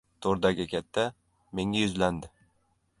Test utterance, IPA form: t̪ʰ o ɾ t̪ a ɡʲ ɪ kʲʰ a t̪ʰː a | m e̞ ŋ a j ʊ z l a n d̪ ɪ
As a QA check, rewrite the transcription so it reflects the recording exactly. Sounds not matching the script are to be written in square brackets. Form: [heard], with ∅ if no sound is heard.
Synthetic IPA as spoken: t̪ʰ o ɾ [d̪] a ɡʲ ɪ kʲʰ a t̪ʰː a | m e̞ ŋ a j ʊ z l a n d̪ ɪ